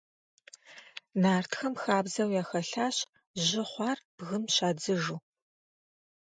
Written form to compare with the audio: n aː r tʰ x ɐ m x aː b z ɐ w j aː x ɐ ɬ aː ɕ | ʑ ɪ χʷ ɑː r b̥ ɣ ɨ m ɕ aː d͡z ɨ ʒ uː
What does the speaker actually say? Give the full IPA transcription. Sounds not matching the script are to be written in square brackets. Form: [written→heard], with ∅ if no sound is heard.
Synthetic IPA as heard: n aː r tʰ x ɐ m x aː b z ɐ w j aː x ɐ ɬ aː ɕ | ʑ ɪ χʷ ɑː r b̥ ɣ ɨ m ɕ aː d͡z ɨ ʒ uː